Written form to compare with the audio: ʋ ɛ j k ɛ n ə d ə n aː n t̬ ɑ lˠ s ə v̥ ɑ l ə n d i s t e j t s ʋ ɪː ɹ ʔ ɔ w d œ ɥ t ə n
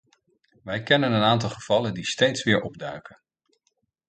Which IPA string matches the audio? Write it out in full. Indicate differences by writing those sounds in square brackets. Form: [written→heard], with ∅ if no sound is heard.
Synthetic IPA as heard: ʋ ɛ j k ɛ n ə [d→n] ə n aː n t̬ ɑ lˠ [s→χ] ə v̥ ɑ l ə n d i s t e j t s ʋ ɪː ɹ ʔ ɔ [w→b] d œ ɥ [t→k] ə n